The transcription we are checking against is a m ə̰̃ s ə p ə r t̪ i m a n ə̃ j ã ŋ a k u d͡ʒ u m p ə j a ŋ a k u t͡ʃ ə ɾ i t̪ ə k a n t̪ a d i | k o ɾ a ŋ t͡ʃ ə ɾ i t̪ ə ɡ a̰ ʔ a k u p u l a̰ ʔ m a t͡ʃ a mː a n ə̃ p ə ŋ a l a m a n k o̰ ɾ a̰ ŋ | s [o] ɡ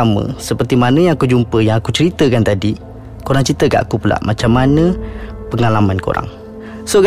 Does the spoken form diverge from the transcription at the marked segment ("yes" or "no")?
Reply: no